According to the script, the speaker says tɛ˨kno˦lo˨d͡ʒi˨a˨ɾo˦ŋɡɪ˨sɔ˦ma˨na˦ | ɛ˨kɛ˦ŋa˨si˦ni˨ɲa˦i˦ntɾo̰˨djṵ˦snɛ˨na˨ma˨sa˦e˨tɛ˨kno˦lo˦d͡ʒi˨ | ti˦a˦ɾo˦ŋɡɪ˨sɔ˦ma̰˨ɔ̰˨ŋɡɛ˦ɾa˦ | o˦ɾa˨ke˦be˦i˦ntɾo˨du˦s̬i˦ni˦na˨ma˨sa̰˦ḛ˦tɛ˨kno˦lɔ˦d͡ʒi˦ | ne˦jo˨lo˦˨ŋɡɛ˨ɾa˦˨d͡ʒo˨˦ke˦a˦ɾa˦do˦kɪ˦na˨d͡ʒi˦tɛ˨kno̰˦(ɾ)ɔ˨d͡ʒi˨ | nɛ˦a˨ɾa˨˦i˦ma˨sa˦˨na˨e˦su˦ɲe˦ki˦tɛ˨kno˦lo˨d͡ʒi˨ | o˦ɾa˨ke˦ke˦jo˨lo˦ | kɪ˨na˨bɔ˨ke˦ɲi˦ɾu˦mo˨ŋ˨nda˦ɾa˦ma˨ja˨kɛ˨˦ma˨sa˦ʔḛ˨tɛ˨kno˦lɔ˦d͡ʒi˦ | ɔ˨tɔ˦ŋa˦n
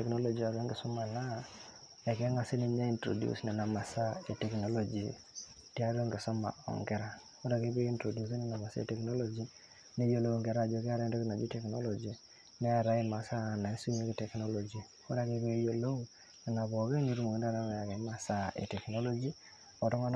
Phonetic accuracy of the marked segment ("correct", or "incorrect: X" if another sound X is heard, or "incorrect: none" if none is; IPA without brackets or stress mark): incorrect: l